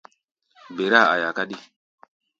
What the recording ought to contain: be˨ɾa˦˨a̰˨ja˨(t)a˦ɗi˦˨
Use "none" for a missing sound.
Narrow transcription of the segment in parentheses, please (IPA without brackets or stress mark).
k